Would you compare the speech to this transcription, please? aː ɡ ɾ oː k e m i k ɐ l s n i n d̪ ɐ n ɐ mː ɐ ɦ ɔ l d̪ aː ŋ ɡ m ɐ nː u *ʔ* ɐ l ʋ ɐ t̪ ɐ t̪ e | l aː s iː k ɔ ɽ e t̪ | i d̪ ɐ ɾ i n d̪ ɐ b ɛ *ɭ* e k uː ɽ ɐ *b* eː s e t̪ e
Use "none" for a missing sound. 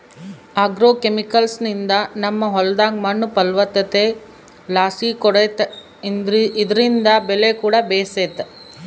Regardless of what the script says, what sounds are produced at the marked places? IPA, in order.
p, l, b

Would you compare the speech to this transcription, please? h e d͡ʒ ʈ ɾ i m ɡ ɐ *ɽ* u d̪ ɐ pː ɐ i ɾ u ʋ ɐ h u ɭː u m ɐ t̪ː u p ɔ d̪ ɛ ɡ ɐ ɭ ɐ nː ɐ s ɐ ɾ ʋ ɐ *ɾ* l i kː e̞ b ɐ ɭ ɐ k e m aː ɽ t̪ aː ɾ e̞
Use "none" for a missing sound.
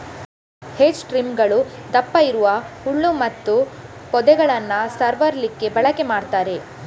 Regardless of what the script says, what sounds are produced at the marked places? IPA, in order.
ɭ, ɾ

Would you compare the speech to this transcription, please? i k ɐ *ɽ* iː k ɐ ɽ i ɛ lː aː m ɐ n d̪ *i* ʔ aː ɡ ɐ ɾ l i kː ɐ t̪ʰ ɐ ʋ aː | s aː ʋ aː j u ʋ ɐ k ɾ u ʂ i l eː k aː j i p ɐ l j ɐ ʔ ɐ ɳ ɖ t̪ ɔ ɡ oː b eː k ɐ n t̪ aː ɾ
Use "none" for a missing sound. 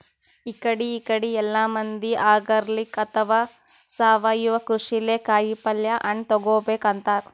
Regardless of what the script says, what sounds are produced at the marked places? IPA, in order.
ɽ, i

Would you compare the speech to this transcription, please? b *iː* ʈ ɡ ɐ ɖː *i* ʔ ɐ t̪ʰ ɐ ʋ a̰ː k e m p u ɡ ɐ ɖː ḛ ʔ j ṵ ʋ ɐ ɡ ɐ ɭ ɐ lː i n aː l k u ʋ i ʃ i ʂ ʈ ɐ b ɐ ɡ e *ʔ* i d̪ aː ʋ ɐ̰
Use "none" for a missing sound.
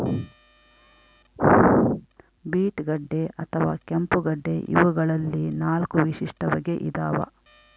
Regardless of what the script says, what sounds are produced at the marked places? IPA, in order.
iː, e, ʔ

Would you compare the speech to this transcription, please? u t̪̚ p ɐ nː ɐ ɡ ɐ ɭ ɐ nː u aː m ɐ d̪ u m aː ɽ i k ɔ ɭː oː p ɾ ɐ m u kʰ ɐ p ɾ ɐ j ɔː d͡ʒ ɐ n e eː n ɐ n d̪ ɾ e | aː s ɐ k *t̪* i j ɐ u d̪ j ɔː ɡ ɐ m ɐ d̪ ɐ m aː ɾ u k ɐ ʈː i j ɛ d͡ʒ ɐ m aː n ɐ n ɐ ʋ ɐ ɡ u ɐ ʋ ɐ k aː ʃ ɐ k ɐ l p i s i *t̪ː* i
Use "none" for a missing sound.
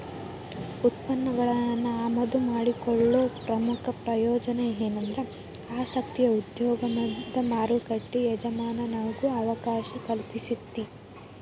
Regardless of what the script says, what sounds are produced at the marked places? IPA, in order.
t̪, t̪ː

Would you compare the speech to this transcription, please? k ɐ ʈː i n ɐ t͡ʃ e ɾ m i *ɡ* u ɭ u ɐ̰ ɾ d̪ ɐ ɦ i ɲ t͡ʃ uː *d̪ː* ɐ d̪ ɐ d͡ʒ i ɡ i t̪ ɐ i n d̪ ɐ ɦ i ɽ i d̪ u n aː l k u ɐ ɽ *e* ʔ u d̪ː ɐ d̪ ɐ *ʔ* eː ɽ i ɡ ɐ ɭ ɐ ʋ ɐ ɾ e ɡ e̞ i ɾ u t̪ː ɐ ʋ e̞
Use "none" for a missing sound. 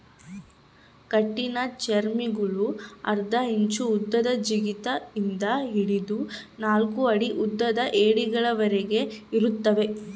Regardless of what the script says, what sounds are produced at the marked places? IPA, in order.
ɡ, d̪ː, i, ʔ

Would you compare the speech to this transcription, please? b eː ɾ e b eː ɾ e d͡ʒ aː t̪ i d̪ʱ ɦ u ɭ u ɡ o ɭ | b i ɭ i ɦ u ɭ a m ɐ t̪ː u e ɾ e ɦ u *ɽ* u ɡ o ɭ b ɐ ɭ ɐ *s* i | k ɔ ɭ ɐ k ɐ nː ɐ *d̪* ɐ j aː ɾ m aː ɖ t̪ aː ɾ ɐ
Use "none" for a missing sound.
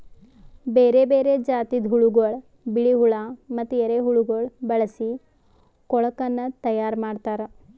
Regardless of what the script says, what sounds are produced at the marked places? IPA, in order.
ɭ, s, t̪

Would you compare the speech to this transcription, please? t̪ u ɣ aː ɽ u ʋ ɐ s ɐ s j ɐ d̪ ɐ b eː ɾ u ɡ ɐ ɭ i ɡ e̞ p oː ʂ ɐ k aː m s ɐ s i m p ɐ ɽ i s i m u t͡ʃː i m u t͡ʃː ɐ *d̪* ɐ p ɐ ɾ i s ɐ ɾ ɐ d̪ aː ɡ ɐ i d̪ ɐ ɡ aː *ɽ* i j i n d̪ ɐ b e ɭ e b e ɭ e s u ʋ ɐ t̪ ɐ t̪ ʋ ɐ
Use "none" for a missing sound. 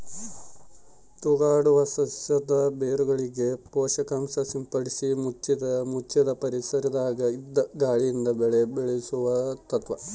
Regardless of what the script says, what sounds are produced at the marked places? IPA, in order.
d̪, ɭ

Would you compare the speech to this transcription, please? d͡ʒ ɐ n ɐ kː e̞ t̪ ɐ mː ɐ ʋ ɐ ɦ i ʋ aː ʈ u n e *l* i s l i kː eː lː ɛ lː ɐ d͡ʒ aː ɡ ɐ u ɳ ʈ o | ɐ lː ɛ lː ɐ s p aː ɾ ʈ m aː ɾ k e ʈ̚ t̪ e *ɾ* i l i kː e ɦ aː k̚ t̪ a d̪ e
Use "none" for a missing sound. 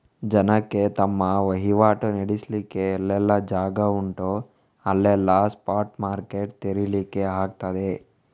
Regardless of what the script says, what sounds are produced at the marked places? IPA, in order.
ɽ, ɾ

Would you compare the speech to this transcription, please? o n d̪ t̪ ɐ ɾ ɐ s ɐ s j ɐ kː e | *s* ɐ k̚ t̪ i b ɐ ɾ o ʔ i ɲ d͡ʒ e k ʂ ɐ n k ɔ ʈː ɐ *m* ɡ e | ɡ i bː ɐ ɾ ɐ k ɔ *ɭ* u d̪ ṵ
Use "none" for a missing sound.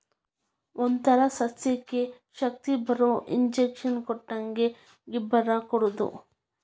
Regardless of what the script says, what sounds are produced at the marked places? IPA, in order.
ʃ, ŋ, ɽ

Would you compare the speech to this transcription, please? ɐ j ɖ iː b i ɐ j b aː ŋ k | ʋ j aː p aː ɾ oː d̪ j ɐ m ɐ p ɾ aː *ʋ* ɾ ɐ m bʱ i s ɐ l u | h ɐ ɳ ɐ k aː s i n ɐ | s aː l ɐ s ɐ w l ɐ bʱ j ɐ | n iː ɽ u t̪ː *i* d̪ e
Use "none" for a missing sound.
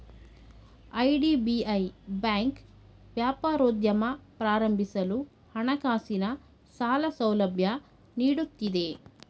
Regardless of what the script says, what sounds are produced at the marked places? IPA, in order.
none, i

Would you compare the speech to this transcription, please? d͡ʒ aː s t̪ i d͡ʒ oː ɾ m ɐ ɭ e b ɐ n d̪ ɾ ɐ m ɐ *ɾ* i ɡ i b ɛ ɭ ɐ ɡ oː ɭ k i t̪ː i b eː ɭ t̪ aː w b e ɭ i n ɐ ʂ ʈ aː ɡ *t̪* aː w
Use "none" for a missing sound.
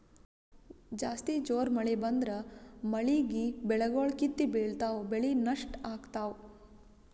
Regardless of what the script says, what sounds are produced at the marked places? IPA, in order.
ɭ, t̪

